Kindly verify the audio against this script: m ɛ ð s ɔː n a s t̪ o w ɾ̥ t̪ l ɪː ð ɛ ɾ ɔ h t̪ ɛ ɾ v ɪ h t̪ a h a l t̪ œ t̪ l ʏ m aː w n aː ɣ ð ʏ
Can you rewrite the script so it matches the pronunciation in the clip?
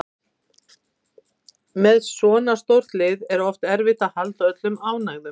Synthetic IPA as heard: m ɛ ð s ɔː n a s t̪ o w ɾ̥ t̪ l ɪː ð ɛ ɾ ɔ f t̪ ɛ ɾ v ɪ h t̪ a h a l t̪ œ t̪ l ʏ m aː w n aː ɣ ð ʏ

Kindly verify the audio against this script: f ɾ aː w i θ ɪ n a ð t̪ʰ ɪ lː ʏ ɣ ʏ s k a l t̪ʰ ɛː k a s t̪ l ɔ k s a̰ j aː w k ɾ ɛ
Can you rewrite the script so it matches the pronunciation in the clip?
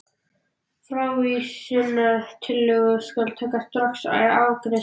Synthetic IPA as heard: f ɾ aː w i s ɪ n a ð t̪ʰ ɪ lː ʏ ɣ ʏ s k a l t̪ʰ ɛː k a s t̪ ɾ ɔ k s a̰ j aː w k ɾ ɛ

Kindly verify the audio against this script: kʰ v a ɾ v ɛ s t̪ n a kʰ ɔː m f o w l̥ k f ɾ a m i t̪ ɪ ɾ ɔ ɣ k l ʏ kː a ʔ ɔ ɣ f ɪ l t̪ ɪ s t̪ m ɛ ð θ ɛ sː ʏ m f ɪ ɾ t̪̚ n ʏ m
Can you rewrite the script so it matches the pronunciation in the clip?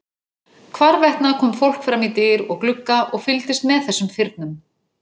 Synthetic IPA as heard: kʰ v a ɾ v ɛ h t̪ n a kʰ ɔː m f o w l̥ k f ɾ a m i t̪ ɪ ɾ ɔ ɣ k l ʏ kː a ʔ ɔ ɣ f ɪ l t̪ ɪ s t̪ m ɛ ð θ ɛ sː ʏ m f ɪ ɾ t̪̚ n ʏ m

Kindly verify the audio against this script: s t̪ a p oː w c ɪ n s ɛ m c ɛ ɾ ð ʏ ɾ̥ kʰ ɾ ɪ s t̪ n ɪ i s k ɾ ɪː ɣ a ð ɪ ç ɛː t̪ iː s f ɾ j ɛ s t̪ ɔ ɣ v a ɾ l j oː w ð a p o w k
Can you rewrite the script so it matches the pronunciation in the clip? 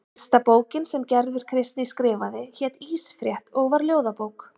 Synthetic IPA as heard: s t̪ a p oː w c ɪ n s ɛ m c ɛ ɾ ð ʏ ɾ̥ kʰ ɾ ɪ s t̪ n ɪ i s k ɾ ɪː v a ð ɪ ç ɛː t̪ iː s f ɾ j ɛ h t̪ ɔ ɣ v a ɾ l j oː w ð a p o w k

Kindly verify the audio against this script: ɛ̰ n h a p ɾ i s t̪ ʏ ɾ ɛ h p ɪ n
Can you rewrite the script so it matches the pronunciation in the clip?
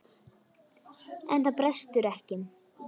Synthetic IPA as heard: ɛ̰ n θ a p ɾ ɛ s t̪ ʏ ɾ ɛ h c ɪ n

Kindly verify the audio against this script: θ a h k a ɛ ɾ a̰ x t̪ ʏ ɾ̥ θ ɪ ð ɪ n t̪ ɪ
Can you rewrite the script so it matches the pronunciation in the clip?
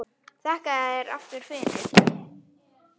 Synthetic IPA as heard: θ ɛ h k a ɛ ɾ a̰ f t̪ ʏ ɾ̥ f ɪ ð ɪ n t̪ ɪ

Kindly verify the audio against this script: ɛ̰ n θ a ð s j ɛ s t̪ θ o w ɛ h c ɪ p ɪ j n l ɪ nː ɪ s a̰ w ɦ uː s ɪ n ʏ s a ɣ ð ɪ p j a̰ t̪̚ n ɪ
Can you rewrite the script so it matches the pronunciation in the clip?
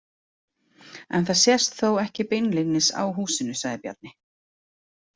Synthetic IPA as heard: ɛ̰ n θ a ð s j ɛ s t̪ θ o w ɛ h c ɪ p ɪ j n l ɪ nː ɪ s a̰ w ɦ uː s ɪ n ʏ s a ɣ ð ɪ p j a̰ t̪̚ n ɪ

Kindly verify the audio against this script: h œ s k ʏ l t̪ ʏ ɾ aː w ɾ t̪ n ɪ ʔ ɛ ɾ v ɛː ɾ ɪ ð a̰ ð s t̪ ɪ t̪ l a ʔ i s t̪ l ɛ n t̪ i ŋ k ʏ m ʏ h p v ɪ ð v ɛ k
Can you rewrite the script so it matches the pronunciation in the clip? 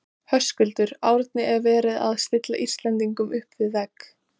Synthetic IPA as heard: h œ s k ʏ l t̪ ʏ ɾ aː w ɾ t̪ n ɪ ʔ ɛ ɾ v ɛː ɾ ɪ ð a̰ ð s t̪ ɪ t̪ l a ʔ i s t̪ l ɛ n t̪ i ŋ k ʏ m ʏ h p v ɪ ð v ɛ k

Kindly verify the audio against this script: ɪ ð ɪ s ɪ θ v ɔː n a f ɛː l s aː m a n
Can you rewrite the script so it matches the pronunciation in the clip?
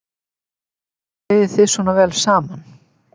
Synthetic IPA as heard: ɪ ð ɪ θ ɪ s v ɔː n a v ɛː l s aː m a n

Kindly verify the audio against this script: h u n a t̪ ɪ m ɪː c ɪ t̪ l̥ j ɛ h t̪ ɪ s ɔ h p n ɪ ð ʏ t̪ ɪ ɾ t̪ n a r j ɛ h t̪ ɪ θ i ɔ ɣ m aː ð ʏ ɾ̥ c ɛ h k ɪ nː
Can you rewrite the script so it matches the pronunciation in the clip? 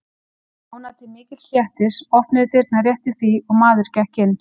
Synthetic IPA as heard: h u n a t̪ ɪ m ɪː c ɪ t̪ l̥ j ɛ h t̪ ɪ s ɔ h p n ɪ ð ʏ t̪ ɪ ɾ t̪ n a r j ɛ h t̪ ɪ θ i ɔ ɣ m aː ð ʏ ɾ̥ c ɛ h c ɪ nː

